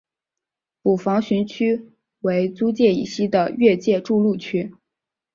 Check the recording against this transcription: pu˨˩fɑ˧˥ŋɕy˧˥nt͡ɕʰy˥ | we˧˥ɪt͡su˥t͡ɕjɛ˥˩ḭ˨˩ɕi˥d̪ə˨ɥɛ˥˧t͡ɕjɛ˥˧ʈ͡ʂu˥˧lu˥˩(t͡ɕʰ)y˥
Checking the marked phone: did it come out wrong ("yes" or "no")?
no